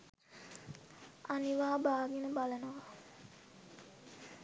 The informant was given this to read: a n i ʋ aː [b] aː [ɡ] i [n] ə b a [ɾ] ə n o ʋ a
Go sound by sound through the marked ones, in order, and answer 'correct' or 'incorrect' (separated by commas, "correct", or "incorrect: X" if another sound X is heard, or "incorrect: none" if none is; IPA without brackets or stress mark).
correct, correct, correct, incorrect: l